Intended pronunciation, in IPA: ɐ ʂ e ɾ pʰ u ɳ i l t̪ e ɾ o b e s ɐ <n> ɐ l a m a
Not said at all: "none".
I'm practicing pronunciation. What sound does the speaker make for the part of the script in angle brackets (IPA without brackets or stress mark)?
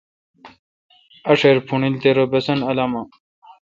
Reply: n